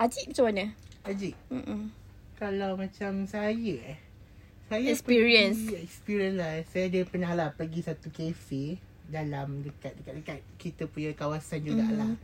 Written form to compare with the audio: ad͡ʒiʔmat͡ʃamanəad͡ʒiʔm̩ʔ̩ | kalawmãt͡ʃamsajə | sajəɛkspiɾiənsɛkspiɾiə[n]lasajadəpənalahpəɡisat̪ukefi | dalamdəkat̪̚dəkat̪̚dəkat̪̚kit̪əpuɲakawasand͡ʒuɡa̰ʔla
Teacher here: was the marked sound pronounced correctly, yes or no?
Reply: yes